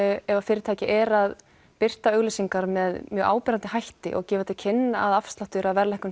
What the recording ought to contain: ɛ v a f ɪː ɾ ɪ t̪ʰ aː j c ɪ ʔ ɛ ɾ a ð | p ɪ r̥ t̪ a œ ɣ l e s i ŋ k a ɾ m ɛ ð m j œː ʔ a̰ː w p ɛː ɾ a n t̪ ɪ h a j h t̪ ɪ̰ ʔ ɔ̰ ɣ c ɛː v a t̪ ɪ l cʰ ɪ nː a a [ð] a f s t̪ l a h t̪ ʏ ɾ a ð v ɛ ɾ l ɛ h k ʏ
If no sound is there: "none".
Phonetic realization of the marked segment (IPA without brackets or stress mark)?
ð